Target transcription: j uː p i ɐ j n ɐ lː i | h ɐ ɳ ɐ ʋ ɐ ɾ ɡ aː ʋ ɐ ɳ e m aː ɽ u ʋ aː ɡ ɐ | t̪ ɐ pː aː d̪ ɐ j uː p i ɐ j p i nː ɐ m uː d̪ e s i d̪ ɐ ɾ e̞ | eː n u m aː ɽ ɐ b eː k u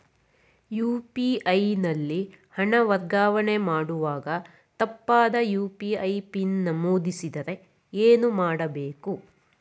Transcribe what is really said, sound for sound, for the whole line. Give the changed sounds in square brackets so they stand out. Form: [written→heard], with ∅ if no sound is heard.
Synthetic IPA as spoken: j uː p i ɐ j n ɐ lː i | h ɐ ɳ ɐ ʋ ɐ ɾ ɡ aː ʋ ɐ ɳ e m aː ɽ u ʋ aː ɡ ɐ | t̪ ɐ pː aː d̪ ɐ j uː p i ɐ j p i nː ɐ m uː d̪ [e→i] s i d̪ ɐ ɾ e̞ | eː n u m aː ɽ ɐ b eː k u